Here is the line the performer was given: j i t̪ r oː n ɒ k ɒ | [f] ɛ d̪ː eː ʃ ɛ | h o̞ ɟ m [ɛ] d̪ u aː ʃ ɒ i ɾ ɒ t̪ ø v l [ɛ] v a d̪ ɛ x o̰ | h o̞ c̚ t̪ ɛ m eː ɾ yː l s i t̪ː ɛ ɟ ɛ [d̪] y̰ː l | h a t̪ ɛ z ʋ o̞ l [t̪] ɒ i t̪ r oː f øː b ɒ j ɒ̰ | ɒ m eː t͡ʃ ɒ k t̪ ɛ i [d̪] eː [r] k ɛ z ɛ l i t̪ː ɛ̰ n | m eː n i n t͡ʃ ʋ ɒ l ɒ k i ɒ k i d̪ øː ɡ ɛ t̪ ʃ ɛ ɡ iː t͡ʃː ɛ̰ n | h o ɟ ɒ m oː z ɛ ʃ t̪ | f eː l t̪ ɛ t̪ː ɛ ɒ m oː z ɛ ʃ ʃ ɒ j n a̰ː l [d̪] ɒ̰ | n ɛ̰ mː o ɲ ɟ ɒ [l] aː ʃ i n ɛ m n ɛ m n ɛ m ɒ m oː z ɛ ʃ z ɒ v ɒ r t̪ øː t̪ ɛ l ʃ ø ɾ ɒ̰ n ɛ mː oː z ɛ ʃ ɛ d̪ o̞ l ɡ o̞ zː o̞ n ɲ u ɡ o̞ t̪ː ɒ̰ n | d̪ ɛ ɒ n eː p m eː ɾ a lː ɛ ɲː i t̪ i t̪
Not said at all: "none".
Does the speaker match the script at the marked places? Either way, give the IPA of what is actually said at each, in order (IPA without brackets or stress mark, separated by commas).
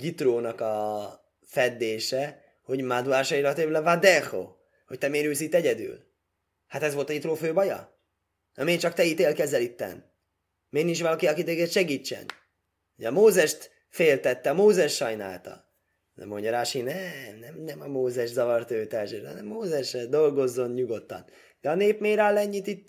f, a, ɛ, d̪, t̪, t̪, l, t̪, ɾ